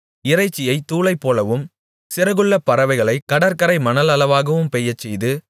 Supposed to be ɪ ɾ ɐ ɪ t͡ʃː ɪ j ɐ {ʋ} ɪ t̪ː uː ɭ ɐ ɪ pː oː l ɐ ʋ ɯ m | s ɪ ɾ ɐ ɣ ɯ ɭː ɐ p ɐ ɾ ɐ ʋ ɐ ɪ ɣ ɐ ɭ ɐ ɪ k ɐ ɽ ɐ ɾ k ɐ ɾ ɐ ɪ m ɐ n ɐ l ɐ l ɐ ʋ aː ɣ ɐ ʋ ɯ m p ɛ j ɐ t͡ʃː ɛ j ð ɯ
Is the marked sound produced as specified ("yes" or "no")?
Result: no